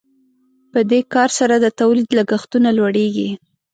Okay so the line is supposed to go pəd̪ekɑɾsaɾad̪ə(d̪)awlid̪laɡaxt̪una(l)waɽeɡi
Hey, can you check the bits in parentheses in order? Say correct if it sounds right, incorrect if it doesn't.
incorrect, correct

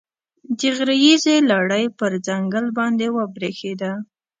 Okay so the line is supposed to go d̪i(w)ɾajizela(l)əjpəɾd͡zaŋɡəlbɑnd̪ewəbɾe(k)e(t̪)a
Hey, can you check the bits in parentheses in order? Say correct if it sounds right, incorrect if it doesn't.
incorrect, incorrect, incorrect, incorrect

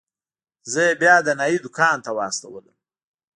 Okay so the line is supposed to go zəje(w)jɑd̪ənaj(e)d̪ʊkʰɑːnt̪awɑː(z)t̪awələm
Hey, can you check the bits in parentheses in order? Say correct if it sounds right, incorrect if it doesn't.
incorrect, incorrect, incorrect

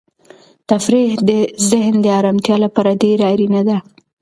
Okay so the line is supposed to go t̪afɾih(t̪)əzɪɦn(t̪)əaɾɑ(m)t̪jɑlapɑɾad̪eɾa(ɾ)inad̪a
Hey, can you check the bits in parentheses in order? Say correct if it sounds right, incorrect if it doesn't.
incorrect, incorrect, correct, correct

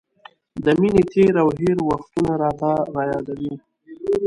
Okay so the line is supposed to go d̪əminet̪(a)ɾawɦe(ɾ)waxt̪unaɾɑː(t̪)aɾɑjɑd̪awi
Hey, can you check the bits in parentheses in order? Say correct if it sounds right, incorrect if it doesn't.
incorrect, correct, correct

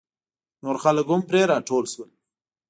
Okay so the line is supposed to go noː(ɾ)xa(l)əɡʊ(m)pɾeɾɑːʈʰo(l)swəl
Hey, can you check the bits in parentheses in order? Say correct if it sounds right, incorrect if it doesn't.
correct, correct, correct, correct

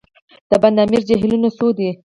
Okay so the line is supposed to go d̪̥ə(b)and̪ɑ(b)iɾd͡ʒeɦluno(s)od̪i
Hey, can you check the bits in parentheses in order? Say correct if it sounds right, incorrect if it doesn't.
correct, incorrect, correct

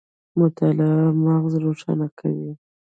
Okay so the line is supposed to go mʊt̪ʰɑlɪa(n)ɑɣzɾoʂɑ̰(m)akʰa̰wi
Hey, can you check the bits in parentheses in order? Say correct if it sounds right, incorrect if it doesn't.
incorrect, incorrect

